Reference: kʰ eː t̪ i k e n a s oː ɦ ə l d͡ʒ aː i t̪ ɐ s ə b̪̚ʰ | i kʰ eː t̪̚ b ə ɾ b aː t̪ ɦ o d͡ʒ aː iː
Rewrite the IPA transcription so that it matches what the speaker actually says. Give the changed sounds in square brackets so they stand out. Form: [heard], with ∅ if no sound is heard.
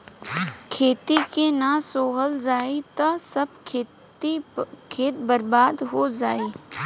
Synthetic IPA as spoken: kʰ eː t̪ i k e n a s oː ɦ ə l d͡ʒ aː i t̪ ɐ s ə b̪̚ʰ | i kʰ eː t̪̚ b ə ɾ b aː [d̪] ɦ o d͡ʒ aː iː